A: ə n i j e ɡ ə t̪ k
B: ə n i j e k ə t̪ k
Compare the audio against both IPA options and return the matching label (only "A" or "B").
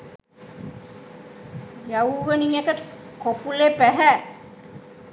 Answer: B